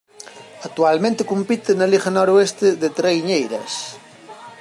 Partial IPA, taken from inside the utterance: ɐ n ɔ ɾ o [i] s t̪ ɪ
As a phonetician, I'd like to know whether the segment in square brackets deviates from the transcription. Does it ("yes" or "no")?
yes